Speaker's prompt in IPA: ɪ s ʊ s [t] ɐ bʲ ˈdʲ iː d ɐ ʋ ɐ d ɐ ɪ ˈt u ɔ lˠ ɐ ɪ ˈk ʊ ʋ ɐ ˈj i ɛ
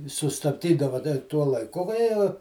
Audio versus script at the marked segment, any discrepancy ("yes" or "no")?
no